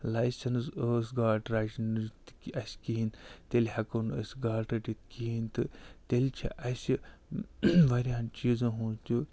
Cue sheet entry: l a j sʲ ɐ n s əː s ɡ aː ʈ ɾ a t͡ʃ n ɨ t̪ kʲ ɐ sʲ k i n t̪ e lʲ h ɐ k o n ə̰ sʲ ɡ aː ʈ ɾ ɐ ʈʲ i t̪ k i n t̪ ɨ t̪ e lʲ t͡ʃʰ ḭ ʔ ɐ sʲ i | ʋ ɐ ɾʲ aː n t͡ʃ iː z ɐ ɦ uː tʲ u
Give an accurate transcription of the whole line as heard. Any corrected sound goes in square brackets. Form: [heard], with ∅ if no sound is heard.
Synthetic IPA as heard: l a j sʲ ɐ n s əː s ɡ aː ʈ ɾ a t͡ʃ n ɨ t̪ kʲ ɐ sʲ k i n t̪ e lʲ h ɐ k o n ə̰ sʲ ɡ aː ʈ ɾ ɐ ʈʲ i t̪ k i n t̪ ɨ t̪ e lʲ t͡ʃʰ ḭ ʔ ɐ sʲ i | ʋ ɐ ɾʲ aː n t͡ʃ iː z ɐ ɦ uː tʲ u